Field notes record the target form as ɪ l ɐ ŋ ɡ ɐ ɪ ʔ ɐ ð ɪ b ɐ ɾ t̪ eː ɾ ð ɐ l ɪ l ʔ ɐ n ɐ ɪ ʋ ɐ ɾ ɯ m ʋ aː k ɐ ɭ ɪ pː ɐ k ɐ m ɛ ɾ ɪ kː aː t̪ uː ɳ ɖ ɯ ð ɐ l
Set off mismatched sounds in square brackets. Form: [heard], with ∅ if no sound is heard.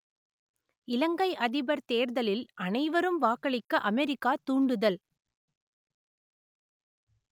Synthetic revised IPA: ɪ l ɐ ŋ ɡ ɐ ɪ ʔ ɐ ð ɪ b ɐ ɾ t̪ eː ɾ ð ɐ l ɪ l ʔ ɐ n ɐ ɪ ʋ ɐ ɾ ɯ m ʋ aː k ɐ ɭ ɪ [kː] ɐ [ʔ] ɐ m ɛ ɾ ɪ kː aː t̪ uː ɳ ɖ ɯ ð ɐ l